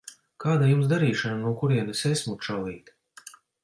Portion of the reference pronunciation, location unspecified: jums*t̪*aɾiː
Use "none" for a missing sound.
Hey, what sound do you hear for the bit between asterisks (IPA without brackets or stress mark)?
d̪